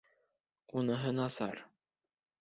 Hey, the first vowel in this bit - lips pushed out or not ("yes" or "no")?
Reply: yes